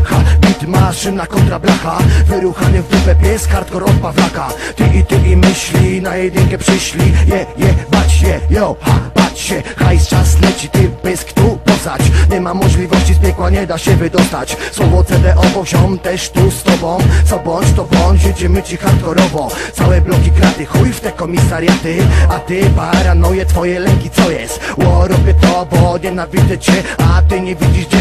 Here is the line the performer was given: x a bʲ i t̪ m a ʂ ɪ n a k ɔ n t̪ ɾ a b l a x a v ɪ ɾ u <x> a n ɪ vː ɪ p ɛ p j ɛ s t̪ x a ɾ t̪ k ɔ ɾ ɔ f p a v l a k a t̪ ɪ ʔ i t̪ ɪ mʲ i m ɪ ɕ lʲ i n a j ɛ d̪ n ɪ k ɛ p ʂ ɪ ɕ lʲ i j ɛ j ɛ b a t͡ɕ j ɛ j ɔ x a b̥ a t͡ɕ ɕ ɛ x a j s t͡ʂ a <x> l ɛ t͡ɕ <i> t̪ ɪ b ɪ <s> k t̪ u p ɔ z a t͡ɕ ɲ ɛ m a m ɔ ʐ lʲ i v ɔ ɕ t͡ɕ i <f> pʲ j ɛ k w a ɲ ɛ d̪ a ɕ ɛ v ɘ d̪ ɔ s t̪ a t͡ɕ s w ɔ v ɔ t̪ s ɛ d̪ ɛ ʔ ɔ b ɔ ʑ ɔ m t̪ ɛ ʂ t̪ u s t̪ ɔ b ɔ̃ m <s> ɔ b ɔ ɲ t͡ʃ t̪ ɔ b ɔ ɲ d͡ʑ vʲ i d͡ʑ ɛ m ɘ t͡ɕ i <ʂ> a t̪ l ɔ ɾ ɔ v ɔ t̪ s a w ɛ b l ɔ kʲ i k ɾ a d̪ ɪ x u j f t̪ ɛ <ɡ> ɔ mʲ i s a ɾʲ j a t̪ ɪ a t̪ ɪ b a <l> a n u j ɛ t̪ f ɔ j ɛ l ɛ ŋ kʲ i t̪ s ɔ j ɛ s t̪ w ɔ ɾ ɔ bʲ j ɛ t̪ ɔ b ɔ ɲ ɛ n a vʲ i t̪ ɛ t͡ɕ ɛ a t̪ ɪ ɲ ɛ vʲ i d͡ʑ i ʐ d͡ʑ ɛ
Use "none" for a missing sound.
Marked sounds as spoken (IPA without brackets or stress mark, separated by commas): x, s, i, s, s, s, x, k, ɾ